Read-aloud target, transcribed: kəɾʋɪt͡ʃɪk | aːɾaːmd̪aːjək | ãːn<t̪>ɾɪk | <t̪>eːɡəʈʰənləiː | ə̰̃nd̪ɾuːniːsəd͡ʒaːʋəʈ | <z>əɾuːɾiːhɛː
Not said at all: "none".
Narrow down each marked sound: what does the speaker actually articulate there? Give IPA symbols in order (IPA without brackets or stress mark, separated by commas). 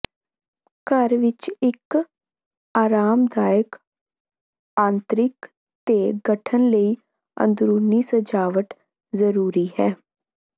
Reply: t̪, t̪, z